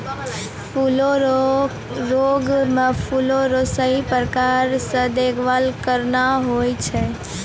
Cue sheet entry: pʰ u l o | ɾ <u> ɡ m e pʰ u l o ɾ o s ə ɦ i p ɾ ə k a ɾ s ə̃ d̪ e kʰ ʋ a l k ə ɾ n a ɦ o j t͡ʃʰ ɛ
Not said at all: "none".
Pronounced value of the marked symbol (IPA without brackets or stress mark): o